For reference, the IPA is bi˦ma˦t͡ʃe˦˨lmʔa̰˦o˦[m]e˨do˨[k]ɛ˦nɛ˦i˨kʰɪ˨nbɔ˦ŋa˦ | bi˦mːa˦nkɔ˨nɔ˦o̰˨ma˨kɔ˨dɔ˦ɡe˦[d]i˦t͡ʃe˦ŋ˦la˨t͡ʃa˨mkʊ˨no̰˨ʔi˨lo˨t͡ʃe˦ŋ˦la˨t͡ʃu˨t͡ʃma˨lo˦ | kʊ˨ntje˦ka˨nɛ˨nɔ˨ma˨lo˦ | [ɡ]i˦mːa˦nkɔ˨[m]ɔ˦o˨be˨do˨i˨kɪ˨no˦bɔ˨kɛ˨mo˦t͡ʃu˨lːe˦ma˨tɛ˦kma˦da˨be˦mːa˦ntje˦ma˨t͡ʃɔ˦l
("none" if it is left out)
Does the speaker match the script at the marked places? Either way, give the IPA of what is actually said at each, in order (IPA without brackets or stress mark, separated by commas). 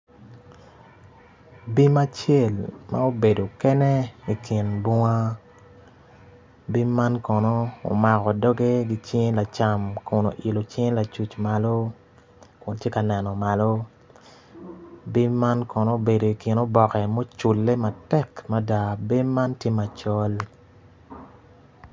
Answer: b, k, ɡ, b, n